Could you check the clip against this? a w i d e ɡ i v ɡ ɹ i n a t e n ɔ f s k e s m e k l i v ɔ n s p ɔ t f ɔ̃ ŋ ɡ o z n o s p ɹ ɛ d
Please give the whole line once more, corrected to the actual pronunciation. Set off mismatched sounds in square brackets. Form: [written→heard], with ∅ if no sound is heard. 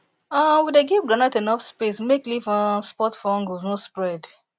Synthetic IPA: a w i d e ɡ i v ɡ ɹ [i→a] n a t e n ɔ f s [k→p] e s m e k l i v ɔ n s p ɔ t f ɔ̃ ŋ ɡ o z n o s p ɹ ɛ d